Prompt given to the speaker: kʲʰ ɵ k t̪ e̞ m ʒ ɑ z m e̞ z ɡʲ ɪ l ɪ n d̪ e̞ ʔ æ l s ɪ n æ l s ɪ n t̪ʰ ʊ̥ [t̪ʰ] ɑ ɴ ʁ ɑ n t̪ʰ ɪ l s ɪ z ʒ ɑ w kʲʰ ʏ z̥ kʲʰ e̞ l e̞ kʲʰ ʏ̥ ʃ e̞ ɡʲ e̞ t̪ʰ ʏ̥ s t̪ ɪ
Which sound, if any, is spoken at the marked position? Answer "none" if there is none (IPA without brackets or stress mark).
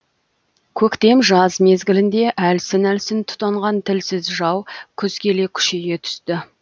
t̪